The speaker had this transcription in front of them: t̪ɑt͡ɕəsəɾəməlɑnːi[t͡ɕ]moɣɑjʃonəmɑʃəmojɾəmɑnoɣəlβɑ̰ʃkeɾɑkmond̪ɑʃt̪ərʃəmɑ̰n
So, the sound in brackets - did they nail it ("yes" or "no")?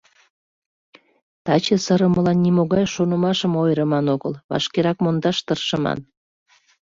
no